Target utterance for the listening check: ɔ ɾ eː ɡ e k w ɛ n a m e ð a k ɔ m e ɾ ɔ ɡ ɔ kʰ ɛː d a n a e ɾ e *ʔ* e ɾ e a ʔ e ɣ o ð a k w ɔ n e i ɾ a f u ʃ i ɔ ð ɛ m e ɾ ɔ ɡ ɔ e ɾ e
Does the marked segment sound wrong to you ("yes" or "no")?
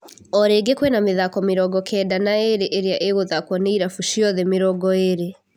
no